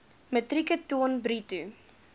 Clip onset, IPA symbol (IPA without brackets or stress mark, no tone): m